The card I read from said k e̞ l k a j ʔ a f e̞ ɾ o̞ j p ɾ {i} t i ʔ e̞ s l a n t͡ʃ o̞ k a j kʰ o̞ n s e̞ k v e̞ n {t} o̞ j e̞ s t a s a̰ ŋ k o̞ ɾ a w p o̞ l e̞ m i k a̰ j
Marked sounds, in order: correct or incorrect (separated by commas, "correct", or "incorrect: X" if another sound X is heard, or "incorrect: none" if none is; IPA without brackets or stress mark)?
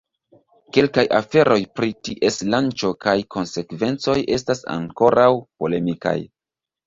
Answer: correct, incorrect: t͡s